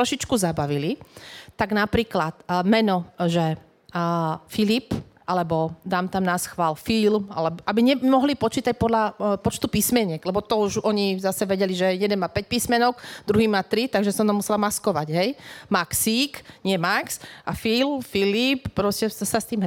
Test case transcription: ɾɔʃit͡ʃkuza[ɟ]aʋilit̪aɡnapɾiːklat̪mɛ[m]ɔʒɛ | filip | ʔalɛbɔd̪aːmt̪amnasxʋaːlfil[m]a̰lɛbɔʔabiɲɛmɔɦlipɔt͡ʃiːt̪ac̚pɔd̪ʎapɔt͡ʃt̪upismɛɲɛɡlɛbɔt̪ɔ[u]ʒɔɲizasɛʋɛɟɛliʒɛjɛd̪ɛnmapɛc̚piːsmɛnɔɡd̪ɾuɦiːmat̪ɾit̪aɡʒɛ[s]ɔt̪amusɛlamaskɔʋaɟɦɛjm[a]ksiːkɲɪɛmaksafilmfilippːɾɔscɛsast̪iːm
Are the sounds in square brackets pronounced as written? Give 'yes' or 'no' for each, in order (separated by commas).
no, no, yes, yes, yes, yes